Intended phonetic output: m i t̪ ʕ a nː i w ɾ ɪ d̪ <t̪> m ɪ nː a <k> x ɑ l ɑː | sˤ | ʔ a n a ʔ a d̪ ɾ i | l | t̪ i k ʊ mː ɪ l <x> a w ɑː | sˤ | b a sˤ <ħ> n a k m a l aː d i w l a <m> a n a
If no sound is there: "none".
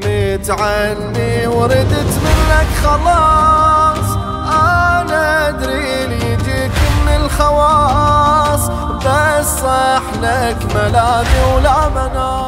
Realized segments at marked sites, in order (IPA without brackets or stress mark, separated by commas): t̪, k, x, ħ, m